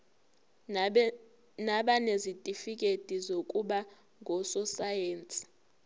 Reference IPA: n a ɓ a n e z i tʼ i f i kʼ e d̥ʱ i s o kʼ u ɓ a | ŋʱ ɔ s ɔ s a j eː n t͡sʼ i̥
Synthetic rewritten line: n a ɓ a n e z i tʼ i f i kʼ e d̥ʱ i z o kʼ u ɓ a | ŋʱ ɔ s ɔ s a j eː n t͡sʼ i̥